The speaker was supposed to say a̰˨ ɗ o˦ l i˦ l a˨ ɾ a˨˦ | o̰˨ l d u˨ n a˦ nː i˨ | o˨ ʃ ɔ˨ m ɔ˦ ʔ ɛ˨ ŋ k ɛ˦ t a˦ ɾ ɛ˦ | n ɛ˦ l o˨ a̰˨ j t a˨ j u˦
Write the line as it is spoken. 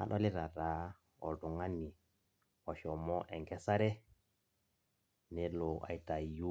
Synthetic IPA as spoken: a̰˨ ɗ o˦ l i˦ ɾ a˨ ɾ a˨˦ | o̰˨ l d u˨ ŋ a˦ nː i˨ | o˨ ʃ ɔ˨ m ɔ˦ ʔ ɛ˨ ŋ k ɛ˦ s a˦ ɾ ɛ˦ | n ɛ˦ l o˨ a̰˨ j t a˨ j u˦